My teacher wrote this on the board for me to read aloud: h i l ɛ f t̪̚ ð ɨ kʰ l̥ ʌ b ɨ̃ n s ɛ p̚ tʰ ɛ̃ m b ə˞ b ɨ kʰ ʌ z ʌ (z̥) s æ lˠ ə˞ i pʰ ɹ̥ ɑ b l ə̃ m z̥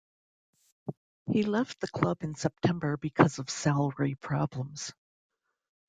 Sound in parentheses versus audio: incorrect: v̥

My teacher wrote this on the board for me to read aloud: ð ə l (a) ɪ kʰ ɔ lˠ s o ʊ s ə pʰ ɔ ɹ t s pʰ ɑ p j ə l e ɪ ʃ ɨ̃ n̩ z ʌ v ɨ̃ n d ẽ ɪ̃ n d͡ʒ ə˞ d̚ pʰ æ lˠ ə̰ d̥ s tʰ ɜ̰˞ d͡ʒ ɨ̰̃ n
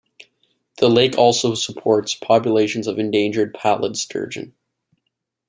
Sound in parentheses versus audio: incorrect: e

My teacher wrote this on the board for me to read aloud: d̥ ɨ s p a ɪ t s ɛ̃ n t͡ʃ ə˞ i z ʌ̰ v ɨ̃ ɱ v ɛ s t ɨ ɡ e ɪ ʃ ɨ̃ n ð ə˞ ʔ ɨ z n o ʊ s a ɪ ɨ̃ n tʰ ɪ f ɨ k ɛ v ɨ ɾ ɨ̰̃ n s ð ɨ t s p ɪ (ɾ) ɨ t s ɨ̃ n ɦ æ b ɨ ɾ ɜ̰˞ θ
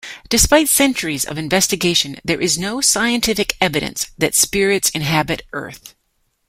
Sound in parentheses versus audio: incorrect: ɹ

